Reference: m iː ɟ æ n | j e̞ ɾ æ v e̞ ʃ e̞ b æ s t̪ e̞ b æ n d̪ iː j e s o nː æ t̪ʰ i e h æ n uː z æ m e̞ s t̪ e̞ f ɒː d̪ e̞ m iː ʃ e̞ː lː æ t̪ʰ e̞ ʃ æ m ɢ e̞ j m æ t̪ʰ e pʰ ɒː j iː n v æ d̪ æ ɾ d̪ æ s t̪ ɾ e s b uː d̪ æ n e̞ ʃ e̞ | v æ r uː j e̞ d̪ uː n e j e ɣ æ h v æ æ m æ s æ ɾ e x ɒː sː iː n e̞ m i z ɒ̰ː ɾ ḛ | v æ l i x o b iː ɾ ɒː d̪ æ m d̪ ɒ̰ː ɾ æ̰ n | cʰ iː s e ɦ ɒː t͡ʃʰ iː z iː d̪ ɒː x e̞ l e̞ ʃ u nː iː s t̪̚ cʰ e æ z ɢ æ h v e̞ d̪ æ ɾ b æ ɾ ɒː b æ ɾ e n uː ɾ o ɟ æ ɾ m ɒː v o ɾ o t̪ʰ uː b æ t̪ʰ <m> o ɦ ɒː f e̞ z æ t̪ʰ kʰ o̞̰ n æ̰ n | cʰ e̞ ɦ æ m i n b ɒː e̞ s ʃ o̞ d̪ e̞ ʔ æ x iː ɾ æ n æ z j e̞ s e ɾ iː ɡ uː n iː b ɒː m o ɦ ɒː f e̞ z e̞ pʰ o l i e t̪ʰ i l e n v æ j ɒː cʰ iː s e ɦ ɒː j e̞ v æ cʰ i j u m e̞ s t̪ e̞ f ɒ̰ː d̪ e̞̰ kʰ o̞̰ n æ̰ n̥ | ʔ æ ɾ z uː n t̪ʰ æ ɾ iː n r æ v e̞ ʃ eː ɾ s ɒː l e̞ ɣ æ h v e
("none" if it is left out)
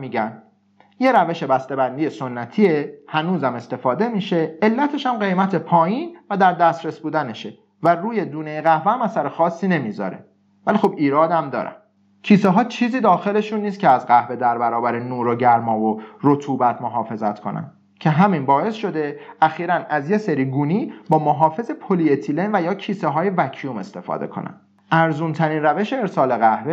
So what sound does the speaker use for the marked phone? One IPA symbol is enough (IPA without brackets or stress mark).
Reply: m